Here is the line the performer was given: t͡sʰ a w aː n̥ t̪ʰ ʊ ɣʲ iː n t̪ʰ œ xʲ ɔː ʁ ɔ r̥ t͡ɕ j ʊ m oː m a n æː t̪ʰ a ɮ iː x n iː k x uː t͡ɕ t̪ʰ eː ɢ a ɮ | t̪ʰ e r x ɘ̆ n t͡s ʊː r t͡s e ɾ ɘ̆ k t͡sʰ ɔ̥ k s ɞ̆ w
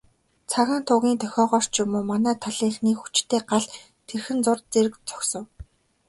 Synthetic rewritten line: t͡sʰ a ɣ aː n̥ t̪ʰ ʊ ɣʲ iː n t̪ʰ œ xʲ ɔː ʁ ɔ r̥ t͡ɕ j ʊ m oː m a n æː t̪ʰ a ɮ iː x n iː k x u t͡ɕ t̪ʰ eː ɢ a ɮ | t̪ʰ e r x ɘ̆ n t͡s ʊ r t͡s e ɾ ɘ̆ k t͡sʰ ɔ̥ k s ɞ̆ w